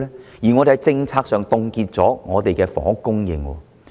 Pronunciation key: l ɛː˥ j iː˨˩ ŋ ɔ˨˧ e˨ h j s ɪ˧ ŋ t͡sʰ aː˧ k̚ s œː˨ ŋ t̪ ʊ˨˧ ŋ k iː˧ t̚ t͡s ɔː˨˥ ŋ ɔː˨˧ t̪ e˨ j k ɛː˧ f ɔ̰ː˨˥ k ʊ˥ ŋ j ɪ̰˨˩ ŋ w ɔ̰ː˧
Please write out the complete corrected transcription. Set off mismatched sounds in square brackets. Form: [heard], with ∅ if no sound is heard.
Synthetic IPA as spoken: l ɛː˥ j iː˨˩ ŋ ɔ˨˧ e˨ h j [t͡s] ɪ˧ ŋ t͡sʰ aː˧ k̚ s œː˨ ŋ t̪ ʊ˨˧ ŋ k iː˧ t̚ t͡s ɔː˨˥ ŋ ɔː˨˧ t̪ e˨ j k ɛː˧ f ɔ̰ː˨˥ k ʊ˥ ŋ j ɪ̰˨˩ ŋ w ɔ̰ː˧